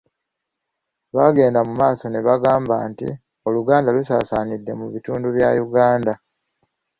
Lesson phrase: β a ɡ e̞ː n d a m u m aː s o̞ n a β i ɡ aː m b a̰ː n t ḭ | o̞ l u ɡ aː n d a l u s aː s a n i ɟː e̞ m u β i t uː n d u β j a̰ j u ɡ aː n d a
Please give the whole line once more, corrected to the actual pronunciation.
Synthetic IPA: β a ɡ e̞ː n d a m u m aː s o̞ n e β a ɡ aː m b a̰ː n t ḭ | o̞ l u ɡ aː n d a l u s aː s a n i dː e̞ m u β i t uː n d u β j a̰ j u ɡ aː n d a